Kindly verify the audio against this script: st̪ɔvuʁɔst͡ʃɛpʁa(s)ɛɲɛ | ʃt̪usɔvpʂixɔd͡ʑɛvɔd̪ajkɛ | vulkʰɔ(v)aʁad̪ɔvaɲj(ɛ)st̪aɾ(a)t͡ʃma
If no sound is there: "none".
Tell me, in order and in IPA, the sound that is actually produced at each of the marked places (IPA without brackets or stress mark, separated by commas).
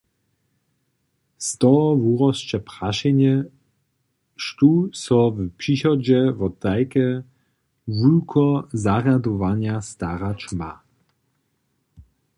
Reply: ʃ, z, a, a